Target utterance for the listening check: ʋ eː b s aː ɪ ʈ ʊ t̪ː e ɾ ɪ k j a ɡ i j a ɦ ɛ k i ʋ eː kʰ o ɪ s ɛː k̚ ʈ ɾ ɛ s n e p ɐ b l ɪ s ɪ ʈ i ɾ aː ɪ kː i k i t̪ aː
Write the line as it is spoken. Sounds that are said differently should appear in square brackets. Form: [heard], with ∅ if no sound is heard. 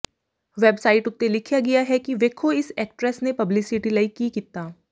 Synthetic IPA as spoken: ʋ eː b s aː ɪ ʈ ʊ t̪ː e [l] ɪ [kʰ] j a ɡ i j a ɦ ɛ k i ʋ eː kʰ o ɪ s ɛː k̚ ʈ ɾ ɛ s n e p ɐ b l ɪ s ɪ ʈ i [l] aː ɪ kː i k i t̪ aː

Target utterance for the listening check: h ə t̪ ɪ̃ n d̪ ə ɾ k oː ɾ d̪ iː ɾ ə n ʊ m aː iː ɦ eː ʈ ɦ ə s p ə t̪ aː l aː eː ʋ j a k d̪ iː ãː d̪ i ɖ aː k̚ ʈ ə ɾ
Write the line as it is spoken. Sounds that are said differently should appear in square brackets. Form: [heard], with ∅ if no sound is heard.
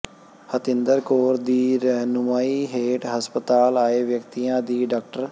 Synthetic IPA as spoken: h ə t̪ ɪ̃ n d̪ ə ɾ k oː ɾ d̪ iː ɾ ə n ʊ m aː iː ɦ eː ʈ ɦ ə s p ə t̪ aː l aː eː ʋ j [ə] k [t̪] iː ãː d̪ [iː] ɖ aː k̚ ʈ ə ɾ

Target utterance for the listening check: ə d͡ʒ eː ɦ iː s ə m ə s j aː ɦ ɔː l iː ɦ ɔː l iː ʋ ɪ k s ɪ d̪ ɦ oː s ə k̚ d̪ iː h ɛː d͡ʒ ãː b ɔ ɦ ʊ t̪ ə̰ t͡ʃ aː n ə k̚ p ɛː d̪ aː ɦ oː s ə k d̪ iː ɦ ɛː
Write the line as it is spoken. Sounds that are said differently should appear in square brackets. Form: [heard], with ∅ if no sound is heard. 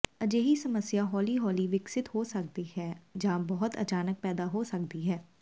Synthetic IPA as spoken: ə d͡ʒ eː ɦ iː s ə m ə s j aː ɦ ɔː l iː ɦ ɔː l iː ʋ ɪ k s ɪ [t̪] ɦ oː s ə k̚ d̪ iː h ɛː d͡ʒ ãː b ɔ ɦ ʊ t̪ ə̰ t͡ʃ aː n ə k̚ p ɛː d̪ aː ɦ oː s ə k d̪ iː ɦ ɛː

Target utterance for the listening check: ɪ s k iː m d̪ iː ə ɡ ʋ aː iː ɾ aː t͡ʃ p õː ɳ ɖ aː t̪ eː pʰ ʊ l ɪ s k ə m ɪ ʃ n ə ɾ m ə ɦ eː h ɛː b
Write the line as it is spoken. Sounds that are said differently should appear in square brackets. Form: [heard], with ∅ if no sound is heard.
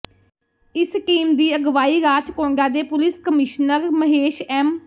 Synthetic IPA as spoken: ɪ s k iː m d̪ iː ə ɡ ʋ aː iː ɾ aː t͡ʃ [k] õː ɳ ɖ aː [d̪] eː [p] ʊ l ɪ s k ə m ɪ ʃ n ə ɾ m ə ɦ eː [ʃ] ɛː [m]

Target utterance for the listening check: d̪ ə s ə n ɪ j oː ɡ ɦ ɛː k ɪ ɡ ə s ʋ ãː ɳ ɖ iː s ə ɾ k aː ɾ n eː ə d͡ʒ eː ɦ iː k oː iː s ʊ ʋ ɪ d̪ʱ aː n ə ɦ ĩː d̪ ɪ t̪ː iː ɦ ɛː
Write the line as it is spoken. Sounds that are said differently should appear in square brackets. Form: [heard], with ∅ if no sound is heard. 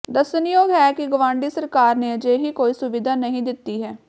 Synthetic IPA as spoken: d̪ ə s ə n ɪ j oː ɡ ɦ ɛː k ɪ ɡ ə [∅] ʋ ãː ɳ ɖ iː s ə ɾ k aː ɾ n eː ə d͡ʒ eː ɦ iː k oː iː s ʊ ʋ ɪ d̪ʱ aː n ə ɦ ĩː d̪ ɪ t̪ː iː ɦ ɛː

